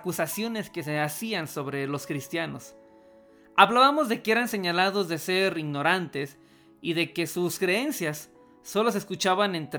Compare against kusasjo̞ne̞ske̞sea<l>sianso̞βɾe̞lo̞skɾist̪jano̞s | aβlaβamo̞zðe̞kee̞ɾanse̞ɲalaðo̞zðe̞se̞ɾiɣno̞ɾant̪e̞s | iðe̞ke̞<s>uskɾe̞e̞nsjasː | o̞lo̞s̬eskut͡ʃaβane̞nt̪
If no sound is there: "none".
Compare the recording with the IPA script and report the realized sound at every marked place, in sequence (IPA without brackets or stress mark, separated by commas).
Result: none, s